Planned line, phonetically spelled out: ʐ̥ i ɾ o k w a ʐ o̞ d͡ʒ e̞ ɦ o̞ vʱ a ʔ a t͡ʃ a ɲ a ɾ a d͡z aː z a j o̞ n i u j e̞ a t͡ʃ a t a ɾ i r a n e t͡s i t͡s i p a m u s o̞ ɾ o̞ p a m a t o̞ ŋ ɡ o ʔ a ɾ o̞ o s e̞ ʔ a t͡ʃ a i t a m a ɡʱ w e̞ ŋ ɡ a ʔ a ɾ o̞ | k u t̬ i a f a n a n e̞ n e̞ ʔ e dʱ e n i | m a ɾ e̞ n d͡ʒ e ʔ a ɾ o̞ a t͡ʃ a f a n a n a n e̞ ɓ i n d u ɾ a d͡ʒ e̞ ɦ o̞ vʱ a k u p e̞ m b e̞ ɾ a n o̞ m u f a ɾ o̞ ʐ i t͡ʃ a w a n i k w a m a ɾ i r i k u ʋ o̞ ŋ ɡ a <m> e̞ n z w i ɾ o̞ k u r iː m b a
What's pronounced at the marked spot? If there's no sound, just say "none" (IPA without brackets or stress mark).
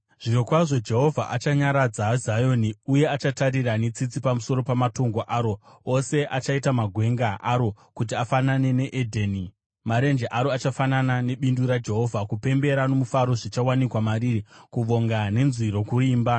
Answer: n